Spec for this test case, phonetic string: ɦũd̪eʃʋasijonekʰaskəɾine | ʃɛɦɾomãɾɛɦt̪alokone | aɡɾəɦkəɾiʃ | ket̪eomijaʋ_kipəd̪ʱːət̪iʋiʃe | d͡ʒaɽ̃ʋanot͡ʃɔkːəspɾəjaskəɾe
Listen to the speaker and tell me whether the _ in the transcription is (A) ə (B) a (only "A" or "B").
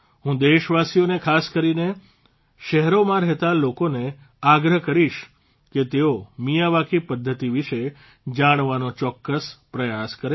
B